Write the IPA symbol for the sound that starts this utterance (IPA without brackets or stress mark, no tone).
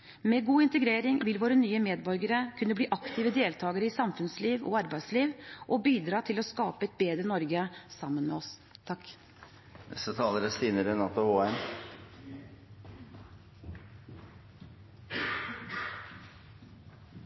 m